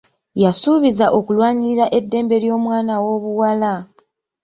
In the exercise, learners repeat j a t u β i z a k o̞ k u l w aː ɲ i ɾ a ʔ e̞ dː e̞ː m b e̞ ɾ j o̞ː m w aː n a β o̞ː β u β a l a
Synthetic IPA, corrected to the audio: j a s u β i z a ʔ o̞ k u l w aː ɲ i ɾ a ʔ e̞ dː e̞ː m b e̞ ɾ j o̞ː m w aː n a w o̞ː β u w a l a